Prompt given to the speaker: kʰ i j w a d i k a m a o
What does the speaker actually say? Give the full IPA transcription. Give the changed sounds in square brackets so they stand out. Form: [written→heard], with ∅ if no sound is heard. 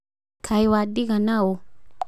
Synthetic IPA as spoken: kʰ [i→a] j w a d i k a [m→n] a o